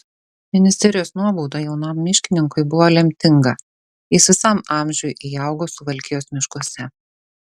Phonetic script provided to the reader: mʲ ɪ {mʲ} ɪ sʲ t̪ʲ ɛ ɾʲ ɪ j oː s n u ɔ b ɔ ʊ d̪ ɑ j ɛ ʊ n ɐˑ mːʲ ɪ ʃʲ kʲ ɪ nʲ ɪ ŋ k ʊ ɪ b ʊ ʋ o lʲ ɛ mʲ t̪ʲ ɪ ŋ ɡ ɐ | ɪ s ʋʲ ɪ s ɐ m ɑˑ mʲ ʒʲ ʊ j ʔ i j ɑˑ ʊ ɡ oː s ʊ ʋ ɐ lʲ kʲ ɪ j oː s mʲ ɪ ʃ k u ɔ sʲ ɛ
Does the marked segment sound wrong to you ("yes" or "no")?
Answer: yes